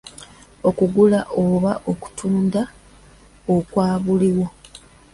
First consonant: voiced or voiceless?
voiceless